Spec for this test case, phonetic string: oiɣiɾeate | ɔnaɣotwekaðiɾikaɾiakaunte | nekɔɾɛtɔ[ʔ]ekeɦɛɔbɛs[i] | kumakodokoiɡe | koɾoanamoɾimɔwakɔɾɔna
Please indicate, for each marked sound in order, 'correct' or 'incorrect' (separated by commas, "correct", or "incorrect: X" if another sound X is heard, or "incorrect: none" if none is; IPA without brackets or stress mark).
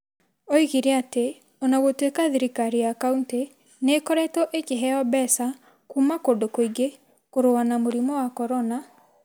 correct, incorrect: a